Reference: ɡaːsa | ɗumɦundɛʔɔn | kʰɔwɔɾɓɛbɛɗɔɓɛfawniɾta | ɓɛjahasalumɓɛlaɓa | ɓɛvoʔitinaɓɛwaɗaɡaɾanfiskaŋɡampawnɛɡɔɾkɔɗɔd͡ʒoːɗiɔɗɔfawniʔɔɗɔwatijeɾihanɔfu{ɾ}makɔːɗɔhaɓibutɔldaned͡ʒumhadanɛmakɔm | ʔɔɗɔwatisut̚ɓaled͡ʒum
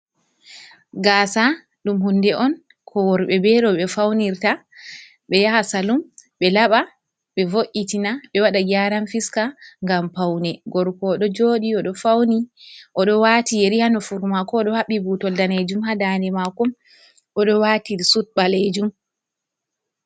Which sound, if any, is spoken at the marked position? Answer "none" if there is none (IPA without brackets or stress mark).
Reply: ɾ